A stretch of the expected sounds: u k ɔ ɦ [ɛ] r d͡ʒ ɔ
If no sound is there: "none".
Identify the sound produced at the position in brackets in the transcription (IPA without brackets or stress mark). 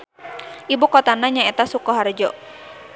a